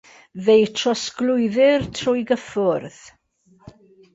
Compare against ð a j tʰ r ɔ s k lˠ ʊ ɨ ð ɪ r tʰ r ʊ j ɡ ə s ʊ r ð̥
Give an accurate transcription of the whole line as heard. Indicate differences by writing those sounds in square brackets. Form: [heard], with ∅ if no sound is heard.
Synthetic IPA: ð [e] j tʰ r ɔ s k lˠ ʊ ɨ ð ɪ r tʰ r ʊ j ɡ ə [f] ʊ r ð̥